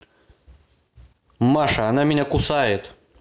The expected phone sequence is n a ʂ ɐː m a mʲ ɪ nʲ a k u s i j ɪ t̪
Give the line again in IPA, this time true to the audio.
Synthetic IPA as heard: m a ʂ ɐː n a mʲ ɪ nʲ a k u s a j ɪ t̪